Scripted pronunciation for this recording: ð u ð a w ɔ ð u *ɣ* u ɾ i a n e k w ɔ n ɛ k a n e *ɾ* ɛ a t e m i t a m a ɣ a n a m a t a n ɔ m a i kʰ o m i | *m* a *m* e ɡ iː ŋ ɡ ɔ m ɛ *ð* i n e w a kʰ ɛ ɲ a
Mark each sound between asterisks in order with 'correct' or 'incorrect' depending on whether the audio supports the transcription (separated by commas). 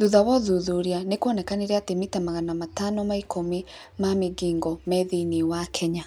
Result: incorrect, correct, correct, correct, correct